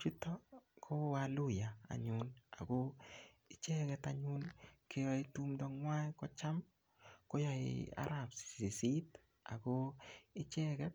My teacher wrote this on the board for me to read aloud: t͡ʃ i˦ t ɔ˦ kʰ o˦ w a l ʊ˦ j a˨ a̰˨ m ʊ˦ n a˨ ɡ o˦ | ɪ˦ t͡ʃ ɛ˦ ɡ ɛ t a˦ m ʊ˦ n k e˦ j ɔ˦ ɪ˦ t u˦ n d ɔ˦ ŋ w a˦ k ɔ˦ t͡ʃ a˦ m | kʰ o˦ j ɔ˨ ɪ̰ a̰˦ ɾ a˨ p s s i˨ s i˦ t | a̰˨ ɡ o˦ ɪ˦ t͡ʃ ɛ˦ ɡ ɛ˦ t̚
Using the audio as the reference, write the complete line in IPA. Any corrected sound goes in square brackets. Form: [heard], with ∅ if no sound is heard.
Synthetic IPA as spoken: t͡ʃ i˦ t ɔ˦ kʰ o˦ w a l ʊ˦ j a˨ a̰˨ [ɲ] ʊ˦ n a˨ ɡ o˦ | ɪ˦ t͡ʃ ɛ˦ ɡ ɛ t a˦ [ɲ] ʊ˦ n k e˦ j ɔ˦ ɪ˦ t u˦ [m] d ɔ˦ ŋ w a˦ k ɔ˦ t͡ʃ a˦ m | [k] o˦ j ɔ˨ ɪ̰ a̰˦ ɾ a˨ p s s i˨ s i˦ t | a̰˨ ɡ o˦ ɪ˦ t͡ʃ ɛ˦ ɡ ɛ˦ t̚